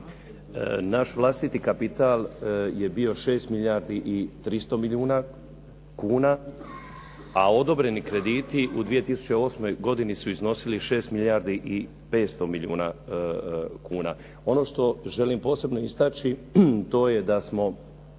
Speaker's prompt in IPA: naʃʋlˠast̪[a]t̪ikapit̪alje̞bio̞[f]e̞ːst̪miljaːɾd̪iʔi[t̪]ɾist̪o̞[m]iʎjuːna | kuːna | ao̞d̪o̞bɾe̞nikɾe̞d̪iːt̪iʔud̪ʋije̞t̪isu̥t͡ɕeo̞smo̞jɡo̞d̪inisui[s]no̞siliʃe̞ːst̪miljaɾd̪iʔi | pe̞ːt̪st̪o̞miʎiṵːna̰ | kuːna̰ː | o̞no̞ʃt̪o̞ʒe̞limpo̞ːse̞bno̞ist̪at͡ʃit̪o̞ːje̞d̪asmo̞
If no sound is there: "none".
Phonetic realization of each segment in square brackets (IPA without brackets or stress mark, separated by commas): i, ʃ, t̪, m, z